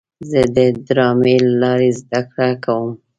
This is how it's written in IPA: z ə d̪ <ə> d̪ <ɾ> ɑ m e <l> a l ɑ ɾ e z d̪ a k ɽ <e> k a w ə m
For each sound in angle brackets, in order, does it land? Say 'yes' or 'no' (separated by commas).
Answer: yes, yes, yes, no